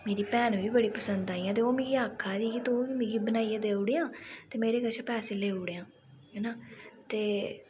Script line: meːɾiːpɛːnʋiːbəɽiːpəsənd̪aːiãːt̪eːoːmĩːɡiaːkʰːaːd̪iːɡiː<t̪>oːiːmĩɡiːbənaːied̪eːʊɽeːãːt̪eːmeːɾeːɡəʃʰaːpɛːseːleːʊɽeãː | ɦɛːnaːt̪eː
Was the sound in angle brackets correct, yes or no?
yes